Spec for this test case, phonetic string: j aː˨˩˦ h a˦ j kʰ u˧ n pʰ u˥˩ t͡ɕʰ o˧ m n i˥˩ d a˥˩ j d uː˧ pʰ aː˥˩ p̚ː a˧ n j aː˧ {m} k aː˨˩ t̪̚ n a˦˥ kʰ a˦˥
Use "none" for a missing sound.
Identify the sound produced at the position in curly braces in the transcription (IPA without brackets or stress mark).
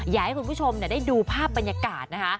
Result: none